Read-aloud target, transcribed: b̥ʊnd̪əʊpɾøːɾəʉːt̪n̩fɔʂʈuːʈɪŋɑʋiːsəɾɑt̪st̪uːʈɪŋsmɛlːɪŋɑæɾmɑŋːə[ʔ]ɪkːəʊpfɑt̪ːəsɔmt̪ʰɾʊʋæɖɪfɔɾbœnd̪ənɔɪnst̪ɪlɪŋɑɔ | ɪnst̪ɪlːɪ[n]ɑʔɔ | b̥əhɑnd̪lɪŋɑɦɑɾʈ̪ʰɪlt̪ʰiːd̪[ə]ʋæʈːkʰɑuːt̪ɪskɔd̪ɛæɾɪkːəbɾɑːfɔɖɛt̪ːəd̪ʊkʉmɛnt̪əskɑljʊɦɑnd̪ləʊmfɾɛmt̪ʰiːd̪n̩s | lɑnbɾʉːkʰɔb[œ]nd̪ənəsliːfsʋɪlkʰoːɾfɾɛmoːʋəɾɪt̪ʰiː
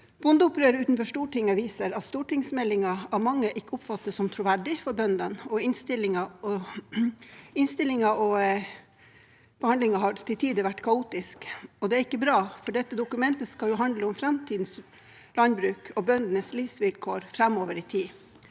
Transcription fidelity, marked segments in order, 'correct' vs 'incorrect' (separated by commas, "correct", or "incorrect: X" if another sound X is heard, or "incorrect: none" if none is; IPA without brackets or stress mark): correct, incorrect: ŋ, correct, correct